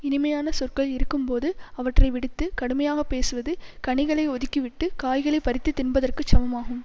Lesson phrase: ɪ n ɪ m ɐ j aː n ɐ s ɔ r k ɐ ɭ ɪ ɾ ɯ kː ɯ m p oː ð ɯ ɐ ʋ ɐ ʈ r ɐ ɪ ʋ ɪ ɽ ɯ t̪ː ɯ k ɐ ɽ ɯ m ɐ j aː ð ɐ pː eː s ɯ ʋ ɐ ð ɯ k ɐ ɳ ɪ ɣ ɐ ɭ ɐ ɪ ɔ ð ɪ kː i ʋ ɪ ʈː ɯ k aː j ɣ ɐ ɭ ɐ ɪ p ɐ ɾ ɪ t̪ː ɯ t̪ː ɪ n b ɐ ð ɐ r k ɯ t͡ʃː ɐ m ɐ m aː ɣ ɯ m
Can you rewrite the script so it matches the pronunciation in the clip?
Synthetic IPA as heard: ɪ n ɪ m ɐ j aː n ɐ s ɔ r k ɐ ɭ ɪ ɾ ɯ kː ɯ m p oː ð ɯ ɐ ʋ ɐ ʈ r ɐ ɪ ʋ ɪ ɽ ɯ t̪ː ɯ k ɐ ɽ ɯ m ɐ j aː ɣ ɐ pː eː s ɯ ʋ ɐ ð ɯ k ɐ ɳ ɪ ɣ ɐ ɭ ɐ ɪ ɔ ð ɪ kː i ʋ ɪ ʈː ɯ k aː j ɣ ɐ ɭ ɐ ɪ p ɐ ɾ ɪ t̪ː ɯ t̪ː ɪ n b ɐ ð ɐ r k ɯ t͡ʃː ɐ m ɐ m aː ɣ ɯ m

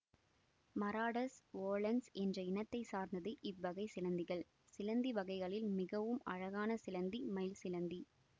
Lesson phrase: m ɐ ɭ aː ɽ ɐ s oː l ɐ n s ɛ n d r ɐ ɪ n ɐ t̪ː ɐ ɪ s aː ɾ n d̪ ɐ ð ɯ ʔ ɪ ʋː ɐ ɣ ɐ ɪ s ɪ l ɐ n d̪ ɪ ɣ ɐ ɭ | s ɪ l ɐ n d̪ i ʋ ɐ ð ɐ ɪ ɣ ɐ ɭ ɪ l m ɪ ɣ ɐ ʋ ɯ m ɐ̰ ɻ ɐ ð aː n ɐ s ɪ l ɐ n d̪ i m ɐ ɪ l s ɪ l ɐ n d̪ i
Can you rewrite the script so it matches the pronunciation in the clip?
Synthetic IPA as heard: m ɐ ɾ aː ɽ ɐ s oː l ɐ n s ɛ n d r ɐ ɪ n ɐ t̪ː ɐ ɪ s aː ɾ n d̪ ɐ ð ɯ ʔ ɪ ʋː ɐ ɣ ɐ ɪ s ɪ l ɐ n d̪ ɪ ɣ ɐ ɭ | s ɪ l ɐ n d̪ i ʋ ɐ ɣ ɐ ɪ ɣ ɐ ɭ ɪ l m ɪ ɣ ɐ ʋ ɯ m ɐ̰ ɻ ɐ ɣ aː n ɐ s ɪ l ɐ n d̪ i m ɐ ɪ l s ɪ l ɐ n d̪ i

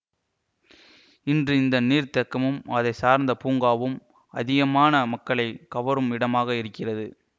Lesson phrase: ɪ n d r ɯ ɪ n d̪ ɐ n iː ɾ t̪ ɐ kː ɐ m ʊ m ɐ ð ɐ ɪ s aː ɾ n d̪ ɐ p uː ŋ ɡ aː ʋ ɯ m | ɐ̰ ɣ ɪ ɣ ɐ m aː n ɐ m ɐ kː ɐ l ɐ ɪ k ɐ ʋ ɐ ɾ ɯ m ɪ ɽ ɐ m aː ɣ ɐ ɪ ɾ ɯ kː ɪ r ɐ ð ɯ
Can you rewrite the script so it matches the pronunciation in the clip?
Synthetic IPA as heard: ɪ n d r ɯ ɪ n d̪ ɐ n iː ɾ t̪ ɐ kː ɐ m ɯ m ɐ ð ɐ ɪ s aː ɾ n d̪ ɐ p uː ŋ ɡ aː ʋ ɯ m | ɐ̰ ð ɪ ɣ ɐ m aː n ɐ m ɐ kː ɐ ɭ ɐ ɪ k ɐ ʋ ɐ ɾ ɯ m ɪ ɽ ɐ m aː ɣ ɐ ɪ ɾ ɯ kː ɪ r ɐ ð ɯ

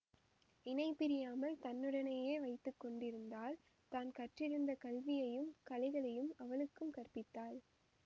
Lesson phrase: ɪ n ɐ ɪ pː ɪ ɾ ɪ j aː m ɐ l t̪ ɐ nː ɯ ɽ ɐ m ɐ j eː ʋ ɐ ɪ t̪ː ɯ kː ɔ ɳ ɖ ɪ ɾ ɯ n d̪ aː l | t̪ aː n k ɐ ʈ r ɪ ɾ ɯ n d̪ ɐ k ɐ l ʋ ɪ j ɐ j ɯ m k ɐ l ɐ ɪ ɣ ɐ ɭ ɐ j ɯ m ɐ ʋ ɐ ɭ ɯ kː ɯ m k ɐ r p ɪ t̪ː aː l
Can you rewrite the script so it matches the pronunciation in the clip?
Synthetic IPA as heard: ɪ n ɐ ɪ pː ɪ ɾ ɪ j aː m ɐ l t̪ ɐ nː ɯ ɽ ɐ n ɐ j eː ʋ ɐ ɪ t̪ː ɯ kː ɔ ɳ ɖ ɪ ɾ ɯ n d̪ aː l | t̪ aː n k ɐ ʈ r ɪ ɾ ɯ n d̪ ɐ k ɐ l ʋ ɪ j ɐ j ɯ m k ɐ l ɐ ɪ ɣ ɐ ɭ ɐ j ɯ m ɐ ʋ ɐ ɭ ɯ kː ɯ m k ɐ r p ɪ t̪ː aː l

